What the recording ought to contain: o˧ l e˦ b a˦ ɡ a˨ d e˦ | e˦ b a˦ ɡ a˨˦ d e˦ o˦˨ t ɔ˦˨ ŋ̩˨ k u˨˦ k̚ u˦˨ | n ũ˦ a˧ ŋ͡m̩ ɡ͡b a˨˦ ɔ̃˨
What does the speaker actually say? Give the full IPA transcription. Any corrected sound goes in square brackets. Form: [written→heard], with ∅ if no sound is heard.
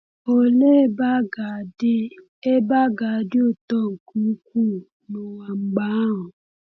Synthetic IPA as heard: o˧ l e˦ b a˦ ɡ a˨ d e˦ | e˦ b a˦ ɡ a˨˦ d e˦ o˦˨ t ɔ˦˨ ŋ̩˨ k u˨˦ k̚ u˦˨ | n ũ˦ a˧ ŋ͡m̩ ɡ͡b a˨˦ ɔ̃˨